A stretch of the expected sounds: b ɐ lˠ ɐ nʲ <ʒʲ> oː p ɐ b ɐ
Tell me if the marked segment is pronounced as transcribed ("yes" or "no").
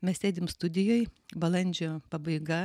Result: no